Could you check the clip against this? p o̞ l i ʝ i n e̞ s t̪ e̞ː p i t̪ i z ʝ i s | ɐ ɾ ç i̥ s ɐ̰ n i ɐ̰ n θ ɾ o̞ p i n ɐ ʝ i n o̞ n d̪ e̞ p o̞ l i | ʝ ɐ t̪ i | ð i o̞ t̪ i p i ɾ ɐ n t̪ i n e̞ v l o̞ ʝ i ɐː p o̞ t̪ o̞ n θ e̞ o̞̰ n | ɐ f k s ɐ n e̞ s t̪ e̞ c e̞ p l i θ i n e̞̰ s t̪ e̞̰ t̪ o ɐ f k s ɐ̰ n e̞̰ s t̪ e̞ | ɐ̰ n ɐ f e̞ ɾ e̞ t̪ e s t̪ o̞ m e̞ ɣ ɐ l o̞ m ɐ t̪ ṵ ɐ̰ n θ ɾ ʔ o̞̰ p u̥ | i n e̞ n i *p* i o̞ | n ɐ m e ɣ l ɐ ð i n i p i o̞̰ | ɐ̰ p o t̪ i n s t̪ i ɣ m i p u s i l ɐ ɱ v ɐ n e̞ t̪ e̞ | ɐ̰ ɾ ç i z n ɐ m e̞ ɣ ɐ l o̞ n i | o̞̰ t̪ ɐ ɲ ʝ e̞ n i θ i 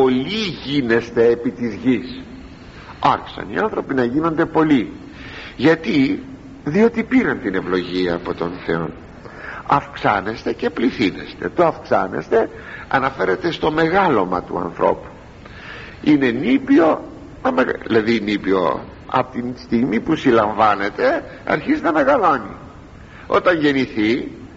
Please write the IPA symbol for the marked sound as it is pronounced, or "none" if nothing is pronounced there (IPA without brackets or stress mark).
p